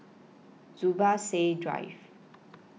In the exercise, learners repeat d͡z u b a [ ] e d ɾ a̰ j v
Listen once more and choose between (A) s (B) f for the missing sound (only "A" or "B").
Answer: A